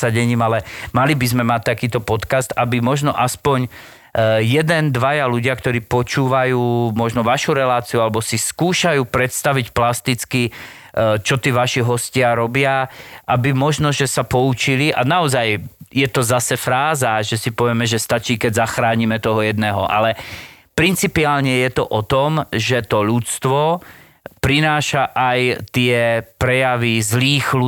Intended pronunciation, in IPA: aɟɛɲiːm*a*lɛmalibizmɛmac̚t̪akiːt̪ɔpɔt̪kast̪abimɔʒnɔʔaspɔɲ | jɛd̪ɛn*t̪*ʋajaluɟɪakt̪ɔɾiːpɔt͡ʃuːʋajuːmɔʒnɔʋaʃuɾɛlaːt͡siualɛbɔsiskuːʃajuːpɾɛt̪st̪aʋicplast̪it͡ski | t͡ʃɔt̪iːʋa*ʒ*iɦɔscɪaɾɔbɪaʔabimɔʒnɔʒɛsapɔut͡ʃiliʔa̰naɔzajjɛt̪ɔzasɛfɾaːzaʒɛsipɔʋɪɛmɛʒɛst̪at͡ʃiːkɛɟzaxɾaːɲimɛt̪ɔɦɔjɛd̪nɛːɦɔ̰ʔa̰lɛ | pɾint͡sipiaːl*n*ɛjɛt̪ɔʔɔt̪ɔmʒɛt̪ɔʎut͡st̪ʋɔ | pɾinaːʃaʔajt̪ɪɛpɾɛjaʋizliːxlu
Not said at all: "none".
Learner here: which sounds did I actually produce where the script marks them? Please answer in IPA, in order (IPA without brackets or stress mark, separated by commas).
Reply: a, d̪, ʃ, ɲ